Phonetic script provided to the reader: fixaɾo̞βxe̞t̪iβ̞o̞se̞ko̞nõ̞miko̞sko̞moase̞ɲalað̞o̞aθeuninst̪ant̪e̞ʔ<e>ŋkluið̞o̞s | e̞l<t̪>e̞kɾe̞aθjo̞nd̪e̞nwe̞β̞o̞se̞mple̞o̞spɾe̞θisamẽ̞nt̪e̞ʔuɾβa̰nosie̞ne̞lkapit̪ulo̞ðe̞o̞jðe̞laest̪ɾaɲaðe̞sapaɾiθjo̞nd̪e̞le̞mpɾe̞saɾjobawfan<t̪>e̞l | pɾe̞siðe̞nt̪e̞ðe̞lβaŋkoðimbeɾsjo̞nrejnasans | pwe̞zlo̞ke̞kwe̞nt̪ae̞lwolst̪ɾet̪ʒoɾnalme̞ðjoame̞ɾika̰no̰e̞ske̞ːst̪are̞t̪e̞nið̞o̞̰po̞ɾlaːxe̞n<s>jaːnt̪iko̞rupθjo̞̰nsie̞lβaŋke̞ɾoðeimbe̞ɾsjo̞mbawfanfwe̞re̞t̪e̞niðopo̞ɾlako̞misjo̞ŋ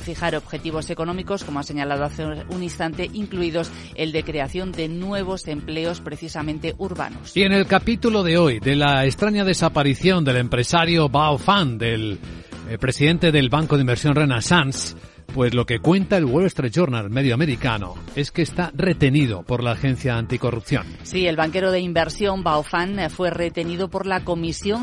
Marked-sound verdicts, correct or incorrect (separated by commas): incorrect, incorrect, incorrect, incorrect